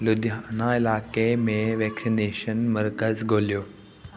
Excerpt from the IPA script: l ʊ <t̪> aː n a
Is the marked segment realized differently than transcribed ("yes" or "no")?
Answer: yes